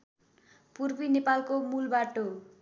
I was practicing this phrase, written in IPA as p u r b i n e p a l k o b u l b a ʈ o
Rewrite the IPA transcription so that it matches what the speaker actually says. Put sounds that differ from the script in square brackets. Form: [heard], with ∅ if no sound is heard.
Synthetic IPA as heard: p u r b i n e p a l k o [m] u l b a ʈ o